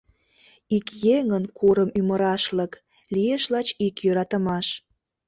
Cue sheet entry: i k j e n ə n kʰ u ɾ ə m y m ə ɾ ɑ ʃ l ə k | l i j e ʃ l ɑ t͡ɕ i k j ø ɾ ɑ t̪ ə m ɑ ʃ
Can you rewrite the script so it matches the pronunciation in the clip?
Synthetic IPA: i k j e ŋ ə n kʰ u ɾ ə m y m ə ɾ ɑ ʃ l ə k | l i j e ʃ l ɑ t͡ɕ i k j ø ɾ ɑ t̪ ə m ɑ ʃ